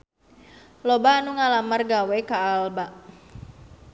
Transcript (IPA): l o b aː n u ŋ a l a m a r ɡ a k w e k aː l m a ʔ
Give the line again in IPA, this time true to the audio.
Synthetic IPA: l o b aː n u ŋ a l a m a r ɡ a w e k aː l b a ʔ